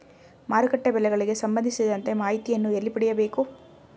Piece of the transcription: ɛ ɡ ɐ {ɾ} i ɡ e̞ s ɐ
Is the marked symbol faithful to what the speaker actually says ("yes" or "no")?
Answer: no